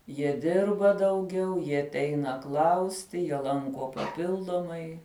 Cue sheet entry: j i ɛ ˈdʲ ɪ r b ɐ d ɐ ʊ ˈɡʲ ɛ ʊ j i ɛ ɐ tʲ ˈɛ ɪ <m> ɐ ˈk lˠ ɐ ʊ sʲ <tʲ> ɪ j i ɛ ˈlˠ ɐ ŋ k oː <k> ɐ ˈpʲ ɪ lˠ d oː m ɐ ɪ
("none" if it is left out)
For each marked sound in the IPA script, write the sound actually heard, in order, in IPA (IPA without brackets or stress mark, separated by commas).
n, tʲ, p